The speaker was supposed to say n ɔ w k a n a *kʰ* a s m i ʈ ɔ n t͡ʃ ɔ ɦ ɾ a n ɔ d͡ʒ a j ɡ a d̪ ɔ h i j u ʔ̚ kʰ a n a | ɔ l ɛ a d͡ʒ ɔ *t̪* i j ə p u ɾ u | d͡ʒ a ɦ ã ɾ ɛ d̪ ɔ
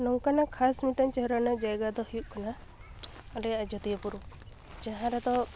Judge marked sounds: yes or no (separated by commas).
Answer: yes, yes